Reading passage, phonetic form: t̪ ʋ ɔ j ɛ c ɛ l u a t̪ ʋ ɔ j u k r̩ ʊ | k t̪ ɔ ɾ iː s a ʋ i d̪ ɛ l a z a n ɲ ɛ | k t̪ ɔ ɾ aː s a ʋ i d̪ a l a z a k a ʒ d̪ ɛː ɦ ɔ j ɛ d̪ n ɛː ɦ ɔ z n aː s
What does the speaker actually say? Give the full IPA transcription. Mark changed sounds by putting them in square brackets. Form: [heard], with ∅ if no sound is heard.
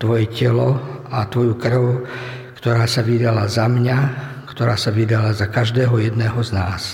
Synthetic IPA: t̪ ʋ ɔ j ɛ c ɛ l [ɔ] a t̪ ʋ ɔ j u k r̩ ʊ | k t̪ ɔ ɾ [aː] s a ʋ i d̪ [a] l a z a [m] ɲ [a] | k t̪ ɔ ɾ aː s a ʋ i d̪ a l a z a k a ʒ d̪ ɛː ɦ ɔ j ɛ d̪ n ɛː ɦ ɔ z n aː s